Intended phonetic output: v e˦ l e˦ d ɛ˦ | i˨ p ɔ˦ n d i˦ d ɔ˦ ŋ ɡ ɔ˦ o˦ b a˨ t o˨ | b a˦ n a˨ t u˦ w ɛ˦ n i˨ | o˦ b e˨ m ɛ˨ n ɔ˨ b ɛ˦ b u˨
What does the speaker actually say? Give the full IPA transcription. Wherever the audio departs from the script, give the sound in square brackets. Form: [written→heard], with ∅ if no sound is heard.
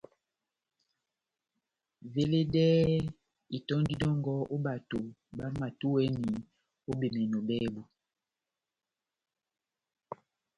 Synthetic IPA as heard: v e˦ l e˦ d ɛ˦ | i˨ [p→t] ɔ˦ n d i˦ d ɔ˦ ŋ ɡ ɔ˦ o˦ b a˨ t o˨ | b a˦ [n→m] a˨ t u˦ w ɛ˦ n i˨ | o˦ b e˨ m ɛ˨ n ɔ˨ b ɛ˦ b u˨

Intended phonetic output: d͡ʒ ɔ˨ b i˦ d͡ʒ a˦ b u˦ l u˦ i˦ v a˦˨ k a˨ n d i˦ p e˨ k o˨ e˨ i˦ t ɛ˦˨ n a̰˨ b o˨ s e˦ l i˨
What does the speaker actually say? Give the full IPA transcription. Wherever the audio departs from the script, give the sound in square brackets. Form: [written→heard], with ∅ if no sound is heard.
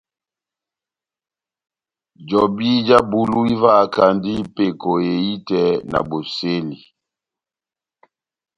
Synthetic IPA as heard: d͡ʒ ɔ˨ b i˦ d͡ʒ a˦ b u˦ l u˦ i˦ v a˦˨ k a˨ n d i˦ p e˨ k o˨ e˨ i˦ t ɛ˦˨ n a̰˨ b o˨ s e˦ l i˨

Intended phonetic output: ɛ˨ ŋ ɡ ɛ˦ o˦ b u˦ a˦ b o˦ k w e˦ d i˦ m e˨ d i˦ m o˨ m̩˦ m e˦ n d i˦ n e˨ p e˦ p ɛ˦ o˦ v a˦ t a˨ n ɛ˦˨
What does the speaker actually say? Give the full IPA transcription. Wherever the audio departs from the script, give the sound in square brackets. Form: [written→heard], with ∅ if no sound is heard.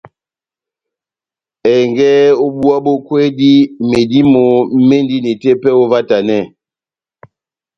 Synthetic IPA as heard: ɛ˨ ŋ ɡ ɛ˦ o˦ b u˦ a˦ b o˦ k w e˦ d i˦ m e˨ d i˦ m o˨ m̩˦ m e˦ n d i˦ n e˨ [p→t] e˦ p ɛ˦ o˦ v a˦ t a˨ n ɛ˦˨

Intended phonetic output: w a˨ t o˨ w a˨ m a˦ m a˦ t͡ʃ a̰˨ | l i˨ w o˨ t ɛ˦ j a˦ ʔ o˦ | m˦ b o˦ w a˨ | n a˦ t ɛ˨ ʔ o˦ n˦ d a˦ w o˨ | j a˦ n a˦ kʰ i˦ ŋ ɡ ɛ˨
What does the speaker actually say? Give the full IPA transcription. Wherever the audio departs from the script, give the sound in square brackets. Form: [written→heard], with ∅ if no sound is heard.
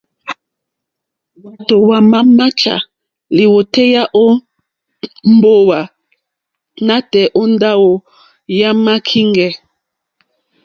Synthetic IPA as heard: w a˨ t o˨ w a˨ m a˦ m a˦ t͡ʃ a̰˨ | l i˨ w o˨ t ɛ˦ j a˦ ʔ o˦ | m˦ b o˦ w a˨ | n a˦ t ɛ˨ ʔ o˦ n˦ d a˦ w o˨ | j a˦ [n→m] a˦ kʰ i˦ ŋ ɡ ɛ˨

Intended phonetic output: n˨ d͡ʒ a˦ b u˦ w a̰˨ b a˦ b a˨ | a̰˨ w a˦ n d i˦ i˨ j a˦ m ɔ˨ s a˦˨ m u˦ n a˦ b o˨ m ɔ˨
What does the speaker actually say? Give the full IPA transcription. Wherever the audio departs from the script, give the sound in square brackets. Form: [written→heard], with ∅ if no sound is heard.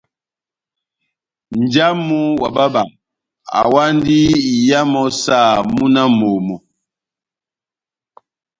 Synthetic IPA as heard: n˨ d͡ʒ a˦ [b→m] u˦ w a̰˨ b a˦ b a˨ | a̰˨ w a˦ n d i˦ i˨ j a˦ m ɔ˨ s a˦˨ m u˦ n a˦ [b→m] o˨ m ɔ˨

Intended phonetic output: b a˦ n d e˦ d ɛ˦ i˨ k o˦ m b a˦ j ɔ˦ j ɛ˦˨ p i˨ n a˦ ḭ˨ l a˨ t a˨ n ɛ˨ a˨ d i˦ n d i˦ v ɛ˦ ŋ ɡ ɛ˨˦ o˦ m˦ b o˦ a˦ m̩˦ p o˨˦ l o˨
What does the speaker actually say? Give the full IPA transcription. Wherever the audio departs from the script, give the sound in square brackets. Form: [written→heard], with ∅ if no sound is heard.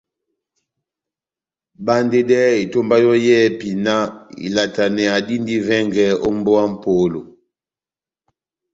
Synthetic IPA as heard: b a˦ n d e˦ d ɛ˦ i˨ [k→t] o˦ m b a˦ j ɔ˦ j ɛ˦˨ p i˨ n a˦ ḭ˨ l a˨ t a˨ n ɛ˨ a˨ d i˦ n d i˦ v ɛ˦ ŋ ɡ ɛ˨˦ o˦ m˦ b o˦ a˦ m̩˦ p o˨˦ l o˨

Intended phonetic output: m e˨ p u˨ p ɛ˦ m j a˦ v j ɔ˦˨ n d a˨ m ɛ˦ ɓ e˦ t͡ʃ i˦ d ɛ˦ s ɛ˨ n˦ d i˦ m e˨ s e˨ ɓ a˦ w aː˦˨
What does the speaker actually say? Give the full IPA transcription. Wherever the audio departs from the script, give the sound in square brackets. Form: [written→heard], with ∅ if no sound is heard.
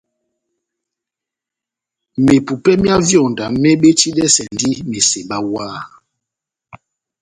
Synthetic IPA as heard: m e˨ p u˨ p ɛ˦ m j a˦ v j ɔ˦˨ n d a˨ m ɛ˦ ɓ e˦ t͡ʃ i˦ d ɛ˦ s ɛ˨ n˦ d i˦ m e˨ s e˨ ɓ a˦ w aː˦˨

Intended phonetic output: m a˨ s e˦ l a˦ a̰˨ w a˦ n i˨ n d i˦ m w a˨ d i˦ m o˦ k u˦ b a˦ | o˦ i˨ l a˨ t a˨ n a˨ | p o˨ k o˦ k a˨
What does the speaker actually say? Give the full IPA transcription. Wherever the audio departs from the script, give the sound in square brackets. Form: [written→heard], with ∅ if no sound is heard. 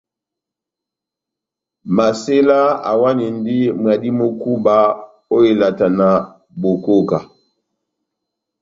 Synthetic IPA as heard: m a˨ s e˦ l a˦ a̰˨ w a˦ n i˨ n d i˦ m w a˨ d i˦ m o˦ k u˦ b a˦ | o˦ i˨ l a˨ t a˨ n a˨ | [p→b] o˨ k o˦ k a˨

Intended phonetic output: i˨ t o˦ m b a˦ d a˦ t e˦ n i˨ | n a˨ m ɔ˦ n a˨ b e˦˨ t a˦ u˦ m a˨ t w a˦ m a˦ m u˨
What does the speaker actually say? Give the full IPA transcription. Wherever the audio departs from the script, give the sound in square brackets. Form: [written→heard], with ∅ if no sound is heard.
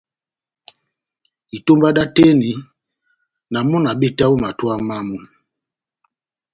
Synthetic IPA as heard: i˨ t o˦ m b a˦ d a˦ t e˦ n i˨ | n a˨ m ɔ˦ n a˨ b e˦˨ t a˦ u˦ m a˨ t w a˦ m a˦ m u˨

